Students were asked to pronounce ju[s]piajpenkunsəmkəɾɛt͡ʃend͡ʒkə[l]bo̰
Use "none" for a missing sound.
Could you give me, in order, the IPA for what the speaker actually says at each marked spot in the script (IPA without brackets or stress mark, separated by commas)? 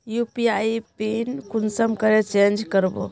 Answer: none, ɾ